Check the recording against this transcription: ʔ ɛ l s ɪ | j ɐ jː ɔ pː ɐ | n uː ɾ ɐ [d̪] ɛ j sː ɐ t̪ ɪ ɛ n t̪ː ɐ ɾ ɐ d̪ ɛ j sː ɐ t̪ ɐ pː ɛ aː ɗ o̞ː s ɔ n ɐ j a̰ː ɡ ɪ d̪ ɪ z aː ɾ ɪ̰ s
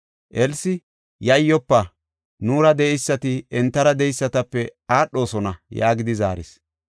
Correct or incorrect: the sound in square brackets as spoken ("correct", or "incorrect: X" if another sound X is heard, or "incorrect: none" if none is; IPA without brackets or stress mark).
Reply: correct